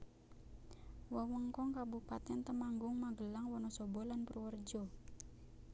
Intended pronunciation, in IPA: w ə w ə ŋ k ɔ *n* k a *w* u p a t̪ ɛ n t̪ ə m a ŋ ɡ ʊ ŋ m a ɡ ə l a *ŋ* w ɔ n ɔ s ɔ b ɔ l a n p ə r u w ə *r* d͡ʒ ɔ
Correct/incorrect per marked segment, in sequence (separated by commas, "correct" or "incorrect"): incorrect, incorrect, correct, correct